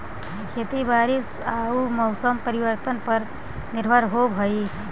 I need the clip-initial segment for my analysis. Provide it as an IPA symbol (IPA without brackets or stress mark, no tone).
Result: kʰ